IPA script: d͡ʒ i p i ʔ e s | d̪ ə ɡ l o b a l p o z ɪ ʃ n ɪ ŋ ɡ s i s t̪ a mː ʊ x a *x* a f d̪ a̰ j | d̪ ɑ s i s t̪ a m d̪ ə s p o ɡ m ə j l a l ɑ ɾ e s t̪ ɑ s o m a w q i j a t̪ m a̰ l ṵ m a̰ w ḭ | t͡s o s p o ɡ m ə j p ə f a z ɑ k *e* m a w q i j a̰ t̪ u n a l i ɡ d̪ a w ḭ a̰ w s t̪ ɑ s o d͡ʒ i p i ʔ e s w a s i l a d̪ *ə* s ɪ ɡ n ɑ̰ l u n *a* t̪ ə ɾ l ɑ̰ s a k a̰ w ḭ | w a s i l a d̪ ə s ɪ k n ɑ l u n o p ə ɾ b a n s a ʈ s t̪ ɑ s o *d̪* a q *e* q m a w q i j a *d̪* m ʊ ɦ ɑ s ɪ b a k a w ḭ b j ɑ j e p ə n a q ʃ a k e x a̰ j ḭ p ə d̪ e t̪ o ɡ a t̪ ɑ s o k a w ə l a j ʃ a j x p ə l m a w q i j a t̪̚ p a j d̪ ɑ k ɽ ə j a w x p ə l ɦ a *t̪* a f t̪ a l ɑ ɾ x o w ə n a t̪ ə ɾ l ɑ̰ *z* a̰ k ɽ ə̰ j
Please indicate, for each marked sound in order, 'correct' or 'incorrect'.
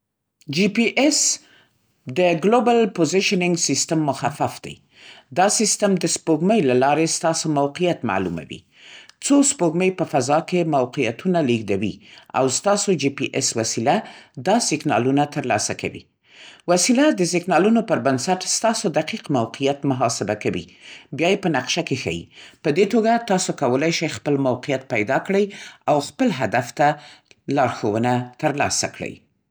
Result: incorrect: f, correct, incorrect: ɑ, correct, correct, incorrect: i, incorrect: t̪, incorrect: d̪, incorrect: s

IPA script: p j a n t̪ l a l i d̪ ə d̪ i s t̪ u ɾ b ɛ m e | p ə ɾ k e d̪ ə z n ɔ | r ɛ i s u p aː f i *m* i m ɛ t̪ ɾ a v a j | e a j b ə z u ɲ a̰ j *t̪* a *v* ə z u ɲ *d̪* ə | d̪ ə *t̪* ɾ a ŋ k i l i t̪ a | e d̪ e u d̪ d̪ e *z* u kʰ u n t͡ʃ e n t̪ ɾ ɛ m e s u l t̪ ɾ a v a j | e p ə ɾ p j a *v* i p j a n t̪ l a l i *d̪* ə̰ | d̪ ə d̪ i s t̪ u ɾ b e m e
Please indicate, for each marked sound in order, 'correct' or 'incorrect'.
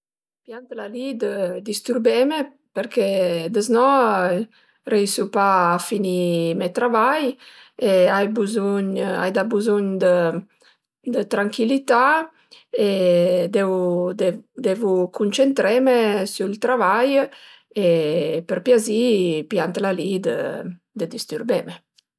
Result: incorrect: n, incorrect: d̪, incorrect: b, correct, correct, incorrect: v, incorrect: z, correct

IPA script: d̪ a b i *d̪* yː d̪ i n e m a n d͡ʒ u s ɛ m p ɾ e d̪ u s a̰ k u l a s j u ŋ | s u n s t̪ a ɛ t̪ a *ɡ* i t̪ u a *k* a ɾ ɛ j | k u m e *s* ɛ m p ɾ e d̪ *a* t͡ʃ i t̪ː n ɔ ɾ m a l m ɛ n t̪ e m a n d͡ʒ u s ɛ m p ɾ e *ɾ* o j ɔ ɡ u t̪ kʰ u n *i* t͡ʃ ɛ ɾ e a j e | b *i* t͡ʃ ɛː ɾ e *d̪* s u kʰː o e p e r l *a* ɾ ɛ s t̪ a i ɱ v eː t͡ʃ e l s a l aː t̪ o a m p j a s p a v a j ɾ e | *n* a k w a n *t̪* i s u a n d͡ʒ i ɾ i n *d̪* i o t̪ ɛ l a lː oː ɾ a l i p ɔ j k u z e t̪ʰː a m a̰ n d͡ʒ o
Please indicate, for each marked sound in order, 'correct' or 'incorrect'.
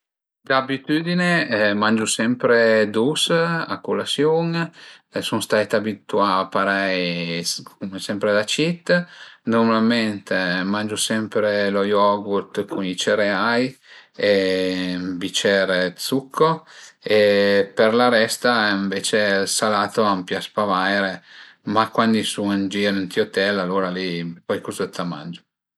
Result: incorrect: t̪, incorrect: b, incorrect: p, correct, correct, incorrect: l, correct, correct, incorrect: t̪, correct, incorrect: m, incorrect: d̪, incorrect: t̪

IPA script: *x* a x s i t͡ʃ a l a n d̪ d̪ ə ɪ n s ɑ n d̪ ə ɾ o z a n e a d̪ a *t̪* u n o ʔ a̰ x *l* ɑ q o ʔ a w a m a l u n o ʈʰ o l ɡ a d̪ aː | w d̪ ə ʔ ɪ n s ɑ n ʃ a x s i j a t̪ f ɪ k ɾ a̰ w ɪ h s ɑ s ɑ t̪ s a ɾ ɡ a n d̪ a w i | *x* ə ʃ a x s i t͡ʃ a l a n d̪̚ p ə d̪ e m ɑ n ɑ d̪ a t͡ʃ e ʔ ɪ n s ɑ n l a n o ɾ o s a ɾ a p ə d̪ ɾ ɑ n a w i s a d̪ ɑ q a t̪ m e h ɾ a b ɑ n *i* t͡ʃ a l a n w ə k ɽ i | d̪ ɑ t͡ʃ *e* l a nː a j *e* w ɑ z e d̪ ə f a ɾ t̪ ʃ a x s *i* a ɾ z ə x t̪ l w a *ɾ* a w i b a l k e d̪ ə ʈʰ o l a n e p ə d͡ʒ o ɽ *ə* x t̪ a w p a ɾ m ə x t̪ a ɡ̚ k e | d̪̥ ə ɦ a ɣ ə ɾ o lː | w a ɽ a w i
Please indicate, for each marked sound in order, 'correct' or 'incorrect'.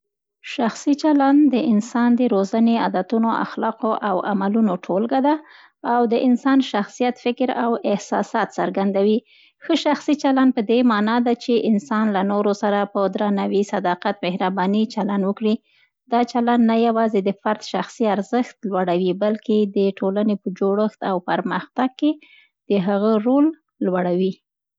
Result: incorrect: ʃ, correct, correct, correct, correct, incorrect: a, incorrect: a, correct, incorrect: ɽ, correct

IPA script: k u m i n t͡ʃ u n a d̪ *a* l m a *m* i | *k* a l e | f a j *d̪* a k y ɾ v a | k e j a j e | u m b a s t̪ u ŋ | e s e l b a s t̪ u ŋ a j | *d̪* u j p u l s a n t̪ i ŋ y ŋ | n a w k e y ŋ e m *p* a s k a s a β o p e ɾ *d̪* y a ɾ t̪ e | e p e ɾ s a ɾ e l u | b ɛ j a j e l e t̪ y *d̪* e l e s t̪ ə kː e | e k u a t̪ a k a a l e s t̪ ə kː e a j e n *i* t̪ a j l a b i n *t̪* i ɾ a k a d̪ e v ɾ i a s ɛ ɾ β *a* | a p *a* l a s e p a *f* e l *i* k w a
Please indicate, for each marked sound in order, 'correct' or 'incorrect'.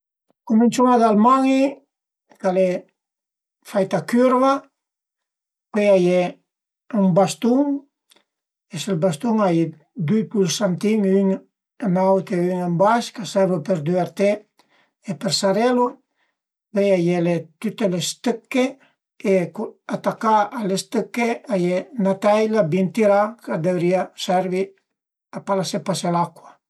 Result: correct, incorrect: ŋ, correct, incorrect: t̪, correct, incorrect: b, correct, incorrect: t̪, incorrect: a, correct, incorrect: i, correct, incorrect: s, incorrect: a

